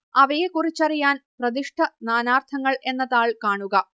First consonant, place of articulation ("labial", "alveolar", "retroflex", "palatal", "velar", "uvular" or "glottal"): labial